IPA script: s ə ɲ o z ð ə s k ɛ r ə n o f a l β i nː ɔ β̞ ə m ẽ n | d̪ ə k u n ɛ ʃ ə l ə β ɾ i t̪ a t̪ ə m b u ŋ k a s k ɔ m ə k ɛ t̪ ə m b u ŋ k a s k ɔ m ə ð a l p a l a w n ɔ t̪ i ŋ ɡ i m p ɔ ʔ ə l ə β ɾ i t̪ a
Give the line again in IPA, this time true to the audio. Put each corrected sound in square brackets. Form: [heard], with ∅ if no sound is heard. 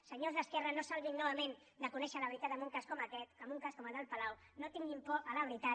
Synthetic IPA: s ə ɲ o z ð ə s k ɛ r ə n o [s] a l β i nː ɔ β̞ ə m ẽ n | d̪ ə k u n ɛ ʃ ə l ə β ɾ i t̪ a t̪ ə m b u ŋ k a s k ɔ m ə k ɛ t̪ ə m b u ŋ k a s k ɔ m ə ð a l p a l a w n [o] t̪ i ŋ ɡ i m p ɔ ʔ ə l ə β ɾ i t̪ a